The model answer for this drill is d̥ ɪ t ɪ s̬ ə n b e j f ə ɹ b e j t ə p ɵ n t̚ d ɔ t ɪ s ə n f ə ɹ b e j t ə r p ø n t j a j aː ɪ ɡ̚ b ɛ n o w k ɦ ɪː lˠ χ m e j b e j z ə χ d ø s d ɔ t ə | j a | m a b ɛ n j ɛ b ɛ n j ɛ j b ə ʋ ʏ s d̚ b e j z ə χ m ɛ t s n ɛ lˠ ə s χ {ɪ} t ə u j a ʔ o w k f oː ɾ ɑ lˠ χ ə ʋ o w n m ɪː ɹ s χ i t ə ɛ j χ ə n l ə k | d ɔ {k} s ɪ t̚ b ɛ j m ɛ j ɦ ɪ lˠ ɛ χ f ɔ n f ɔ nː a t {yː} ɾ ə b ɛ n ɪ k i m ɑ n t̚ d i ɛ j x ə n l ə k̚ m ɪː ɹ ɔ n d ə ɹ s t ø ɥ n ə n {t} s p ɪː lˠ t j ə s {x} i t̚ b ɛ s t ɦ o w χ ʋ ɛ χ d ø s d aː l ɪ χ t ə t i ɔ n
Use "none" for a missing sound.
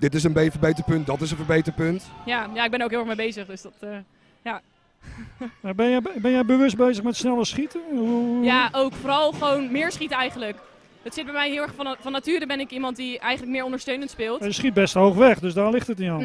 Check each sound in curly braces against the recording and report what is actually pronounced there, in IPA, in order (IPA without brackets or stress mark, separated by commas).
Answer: i, t, yː, t, χ